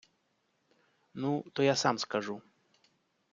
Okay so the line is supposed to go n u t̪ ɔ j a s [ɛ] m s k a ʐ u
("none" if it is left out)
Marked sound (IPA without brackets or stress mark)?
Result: a